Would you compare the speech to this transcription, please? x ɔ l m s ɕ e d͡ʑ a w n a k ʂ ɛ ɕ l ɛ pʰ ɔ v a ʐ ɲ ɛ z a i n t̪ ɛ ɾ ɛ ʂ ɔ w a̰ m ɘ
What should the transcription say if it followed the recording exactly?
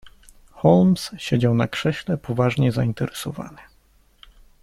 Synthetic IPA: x ɔ l m s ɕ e d͡ʑ a w n a k ʂ ɛ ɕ l ɛ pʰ ɔ v a ʐ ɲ ɛ z a i n t̪ ɛ ɾ ɛ s ɔ v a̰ n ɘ